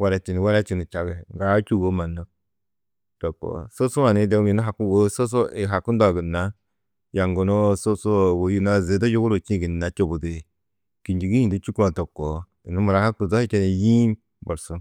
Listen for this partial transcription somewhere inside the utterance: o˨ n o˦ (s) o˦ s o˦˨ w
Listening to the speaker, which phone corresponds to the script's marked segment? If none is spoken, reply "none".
s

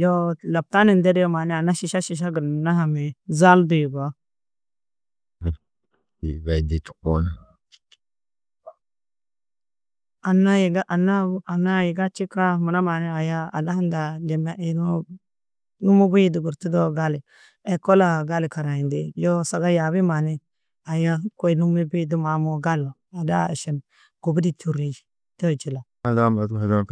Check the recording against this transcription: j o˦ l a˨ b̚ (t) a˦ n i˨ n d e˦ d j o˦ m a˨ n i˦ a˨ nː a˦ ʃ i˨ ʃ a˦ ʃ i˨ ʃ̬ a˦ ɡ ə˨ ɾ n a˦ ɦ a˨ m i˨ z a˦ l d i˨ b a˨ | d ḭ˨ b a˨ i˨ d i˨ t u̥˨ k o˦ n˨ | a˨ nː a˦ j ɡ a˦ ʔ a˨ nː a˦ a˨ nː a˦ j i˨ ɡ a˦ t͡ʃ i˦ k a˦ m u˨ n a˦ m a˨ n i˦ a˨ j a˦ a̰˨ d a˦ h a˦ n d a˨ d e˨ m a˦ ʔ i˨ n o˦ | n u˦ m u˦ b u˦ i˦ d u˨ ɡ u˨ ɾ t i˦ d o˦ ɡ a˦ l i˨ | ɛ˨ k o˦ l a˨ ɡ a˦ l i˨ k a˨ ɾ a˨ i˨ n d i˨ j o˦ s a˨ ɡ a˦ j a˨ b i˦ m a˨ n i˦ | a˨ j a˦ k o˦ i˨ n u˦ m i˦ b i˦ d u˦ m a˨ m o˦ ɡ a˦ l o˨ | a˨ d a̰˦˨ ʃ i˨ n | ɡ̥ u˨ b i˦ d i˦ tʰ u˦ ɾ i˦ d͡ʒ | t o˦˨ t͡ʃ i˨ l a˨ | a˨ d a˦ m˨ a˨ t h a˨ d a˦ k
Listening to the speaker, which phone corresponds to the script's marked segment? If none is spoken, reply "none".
t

